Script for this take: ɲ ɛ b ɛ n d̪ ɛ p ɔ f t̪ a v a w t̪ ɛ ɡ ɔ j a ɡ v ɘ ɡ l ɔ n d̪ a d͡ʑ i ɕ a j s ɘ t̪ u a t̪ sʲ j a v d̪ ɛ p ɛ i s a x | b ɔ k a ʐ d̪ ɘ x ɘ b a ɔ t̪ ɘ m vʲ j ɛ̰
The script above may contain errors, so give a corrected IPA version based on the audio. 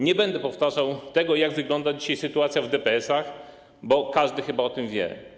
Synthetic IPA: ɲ ɛ b ɛ n d̪ ɛ p ɔ f t̪ a ʐ a w t̪ ɛ ɡ ɔ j a ɡ v ɘ ɡ l ɔ n d̪ a d͡ʑ i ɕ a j s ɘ t̪ u a t̪ sʲ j a v d̪ ɛ p ɛ ɛ s a x | b ɔ k a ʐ d̪ ɘ x ɘ b a ɔ t̪ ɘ m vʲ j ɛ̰